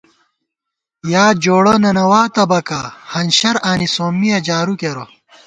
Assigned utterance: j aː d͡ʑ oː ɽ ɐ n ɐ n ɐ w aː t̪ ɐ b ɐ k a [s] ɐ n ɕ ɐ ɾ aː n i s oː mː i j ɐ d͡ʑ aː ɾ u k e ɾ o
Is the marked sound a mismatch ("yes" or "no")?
yes